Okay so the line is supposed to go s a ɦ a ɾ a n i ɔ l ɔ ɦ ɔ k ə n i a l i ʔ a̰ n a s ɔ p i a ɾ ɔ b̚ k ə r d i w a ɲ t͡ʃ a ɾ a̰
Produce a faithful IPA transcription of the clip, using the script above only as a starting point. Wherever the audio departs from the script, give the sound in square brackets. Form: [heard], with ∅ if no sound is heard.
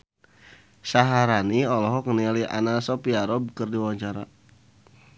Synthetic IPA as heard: s a ɦ a ɾ a n i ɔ l ɔ ɦ ɔ k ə n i a l i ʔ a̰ n a s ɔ p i a ɾ ɔ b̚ k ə r d i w a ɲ t͡ʃ a ɾ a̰